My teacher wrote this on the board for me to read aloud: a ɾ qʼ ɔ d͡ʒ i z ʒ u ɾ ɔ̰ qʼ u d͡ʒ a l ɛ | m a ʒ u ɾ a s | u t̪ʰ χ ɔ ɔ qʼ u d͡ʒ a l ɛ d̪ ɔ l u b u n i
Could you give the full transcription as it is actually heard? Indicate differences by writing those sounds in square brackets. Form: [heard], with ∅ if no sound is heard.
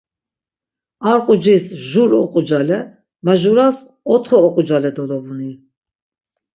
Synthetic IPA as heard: a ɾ qʼ [u] d͡ʒ i [s] ʒ u ɾ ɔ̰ qʼ u d͡ʒ a l ɛ | m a ʒ u ɾ a s | [ɔ] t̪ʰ χ ɔ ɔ qʼ u d͡ʒ a l ɛ d̪ ɔ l [ɔ] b u n i